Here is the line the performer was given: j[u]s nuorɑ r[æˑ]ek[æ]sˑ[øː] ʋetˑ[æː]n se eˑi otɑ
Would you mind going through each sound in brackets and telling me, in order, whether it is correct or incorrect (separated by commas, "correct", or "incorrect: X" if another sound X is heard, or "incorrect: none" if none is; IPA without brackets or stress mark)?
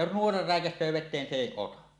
incorrect: o, correct, correct, correct, incorrect: eː